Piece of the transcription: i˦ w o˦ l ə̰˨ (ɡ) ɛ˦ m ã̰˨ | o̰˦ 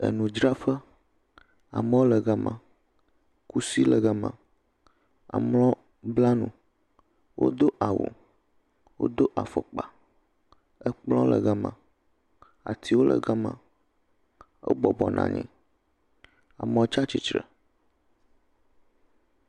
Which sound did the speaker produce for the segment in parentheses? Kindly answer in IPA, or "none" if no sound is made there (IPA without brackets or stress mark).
ɡ